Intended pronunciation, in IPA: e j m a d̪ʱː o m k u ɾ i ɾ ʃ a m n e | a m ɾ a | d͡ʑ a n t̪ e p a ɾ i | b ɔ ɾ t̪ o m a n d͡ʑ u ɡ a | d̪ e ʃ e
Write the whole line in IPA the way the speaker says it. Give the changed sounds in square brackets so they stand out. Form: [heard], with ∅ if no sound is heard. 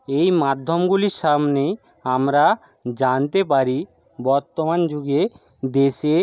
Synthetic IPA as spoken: e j m a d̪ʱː o m [ɡ] u [l] i ɾ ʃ a m n e | a m ɾ a | d͡ʑ a n t̪ e p a ɾ i | b ɔ ɾ t̪ o m a n d͡ʑ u ɡ [e] | d̪ e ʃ e